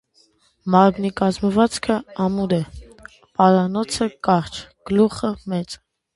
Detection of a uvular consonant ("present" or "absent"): present